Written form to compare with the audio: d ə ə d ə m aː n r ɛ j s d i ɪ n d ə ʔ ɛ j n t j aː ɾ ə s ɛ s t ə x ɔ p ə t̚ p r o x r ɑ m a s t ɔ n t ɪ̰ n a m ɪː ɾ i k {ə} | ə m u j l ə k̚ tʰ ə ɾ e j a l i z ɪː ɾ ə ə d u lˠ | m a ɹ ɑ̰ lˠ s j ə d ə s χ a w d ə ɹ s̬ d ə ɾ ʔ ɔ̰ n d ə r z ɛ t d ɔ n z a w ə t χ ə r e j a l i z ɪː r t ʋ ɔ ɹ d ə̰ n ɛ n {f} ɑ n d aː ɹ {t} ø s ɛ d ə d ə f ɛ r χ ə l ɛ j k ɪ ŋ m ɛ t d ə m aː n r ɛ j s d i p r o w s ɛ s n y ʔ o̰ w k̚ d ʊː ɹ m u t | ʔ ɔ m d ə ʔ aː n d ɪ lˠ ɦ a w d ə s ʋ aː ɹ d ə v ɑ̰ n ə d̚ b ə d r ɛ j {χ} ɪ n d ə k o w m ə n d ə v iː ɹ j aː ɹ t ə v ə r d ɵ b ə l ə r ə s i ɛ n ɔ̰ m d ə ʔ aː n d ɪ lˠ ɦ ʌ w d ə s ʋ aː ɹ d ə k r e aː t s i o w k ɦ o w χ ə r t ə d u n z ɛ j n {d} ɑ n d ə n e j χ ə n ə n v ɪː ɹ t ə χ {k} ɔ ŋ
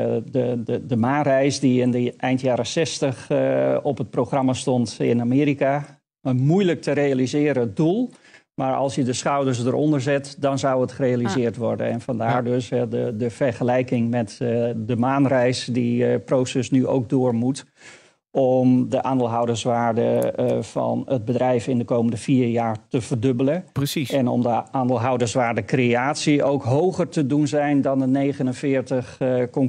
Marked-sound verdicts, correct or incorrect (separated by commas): incorrect, correct, incorrect, incorrect, correct, correct